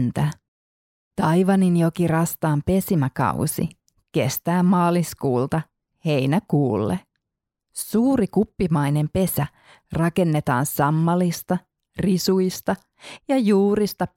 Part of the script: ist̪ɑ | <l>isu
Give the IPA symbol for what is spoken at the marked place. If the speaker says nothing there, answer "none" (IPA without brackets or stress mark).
r